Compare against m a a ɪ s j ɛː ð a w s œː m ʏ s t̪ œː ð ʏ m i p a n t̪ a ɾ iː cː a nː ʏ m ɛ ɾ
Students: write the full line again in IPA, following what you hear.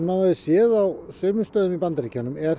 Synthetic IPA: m a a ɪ s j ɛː ð a w s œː m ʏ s t̪ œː ð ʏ m i p a n t̪ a ɾ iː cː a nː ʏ m ɛ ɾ